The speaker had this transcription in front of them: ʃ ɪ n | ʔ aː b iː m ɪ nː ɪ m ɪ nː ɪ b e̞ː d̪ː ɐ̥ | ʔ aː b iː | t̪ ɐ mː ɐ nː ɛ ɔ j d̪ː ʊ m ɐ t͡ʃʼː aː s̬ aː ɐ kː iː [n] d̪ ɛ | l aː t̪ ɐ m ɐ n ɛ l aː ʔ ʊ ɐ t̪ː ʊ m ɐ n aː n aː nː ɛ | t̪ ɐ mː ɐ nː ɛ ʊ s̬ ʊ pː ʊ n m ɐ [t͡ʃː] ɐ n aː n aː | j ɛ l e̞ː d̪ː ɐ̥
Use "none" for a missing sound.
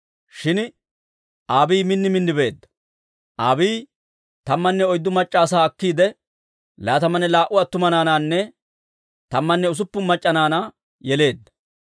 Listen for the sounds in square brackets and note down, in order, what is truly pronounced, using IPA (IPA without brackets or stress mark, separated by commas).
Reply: none, t͡ʃʼː